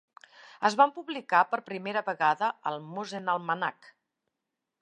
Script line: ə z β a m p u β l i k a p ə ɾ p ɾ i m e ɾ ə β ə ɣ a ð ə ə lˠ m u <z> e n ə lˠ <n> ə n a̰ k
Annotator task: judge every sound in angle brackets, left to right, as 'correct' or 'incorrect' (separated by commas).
correct, incorrect